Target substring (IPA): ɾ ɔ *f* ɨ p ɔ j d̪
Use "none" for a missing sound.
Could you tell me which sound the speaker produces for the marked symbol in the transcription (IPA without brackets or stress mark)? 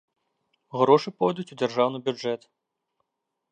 ʂ